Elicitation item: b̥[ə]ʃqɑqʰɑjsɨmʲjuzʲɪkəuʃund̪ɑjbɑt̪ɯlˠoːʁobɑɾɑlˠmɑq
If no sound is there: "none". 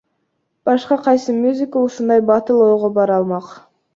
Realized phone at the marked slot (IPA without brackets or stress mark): ɑ